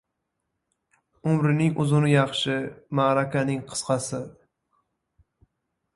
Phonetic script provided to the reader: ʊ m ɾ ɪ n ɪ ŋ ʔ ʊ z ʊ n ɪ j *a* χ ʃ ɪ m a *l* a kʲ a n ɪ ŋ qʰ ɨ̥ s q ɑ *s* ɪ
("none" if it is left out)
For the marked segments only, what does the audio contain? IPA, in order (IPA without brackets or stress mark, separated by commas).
ɑ, ɾ, s